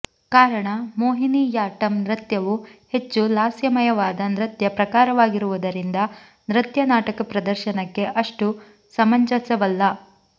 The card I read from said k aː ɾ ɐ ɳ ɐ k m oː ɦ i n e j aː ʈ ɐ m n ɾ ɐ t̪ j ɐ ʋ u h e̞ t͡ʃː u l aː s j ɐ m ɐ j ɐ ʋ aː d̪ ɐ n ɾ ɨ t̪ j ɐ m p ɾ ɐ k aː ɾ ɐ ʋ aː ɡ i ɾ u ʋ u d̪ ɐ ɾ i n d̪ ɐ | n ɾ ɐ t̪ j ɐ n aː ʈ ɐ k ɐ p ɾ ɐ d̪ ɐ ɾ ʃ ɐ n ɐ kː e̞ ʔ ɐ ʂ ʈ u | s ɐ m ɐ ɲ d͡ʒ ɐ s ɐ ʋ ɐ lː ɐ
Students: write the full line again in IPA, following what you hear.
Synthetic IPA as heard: k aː ɾ ɐ ɳ ɐ m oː ɦ i n i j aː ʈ ɐ m n ɾ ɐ t̪ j ɐ ʋ u h e̞ t͡ʃː u l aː s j ɐ m ɐ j ɐ ʋ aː d̪ ɐ n ɾ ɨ t̪ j ɐ p ɾ ɐ k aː ɾ ɐ ʋ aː ɡ i ɾ u ʋ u d̪ ɐ ɾ i n d̪ ɐ | n ɾ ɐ t̪ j ɐ n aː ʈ ɐ k ɐ p ɾ ɐ d̪ ɐ ɾ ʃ ɐ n ɐ kː e̞ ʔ ɐ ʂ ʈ u | s ɐ m ɐ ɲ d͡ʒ ɐ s ɐ ʋ ɐ lː ɐ